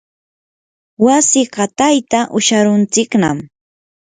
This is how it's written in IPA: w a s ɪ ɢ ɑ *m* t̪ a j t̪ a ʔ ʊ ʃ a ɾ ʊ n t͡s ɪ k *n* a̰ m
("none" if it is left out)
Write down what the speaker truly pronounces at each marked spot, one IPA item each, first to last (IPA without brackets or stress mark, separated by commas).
none, n